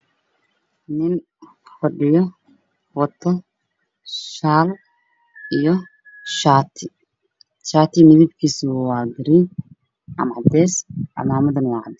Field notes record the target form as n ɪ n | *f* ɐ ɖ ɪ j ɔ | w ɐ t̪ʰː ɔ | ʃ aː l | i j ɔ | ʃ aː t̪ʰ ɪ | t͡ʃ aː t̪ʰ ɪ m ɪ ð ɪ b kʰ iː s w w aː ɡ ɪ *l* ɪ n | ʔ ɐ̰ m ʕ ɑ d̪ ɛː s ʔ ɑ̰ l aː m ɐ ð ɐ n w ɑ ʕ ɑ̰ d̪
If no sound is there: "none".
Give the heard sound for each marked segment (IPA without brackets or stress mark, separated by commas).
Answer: f, ɾ